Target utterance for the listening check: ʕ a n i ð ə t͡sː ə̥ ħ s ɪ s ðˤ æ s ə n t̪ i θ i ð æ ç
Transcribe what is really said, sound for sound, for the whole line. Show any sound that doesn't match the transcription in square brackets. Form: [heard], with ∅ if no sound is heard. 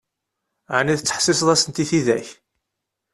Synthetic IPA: ʕ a n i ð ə t͡sː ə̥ ħ s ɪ s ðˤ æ s ə n t̪ i θ i ð æ ç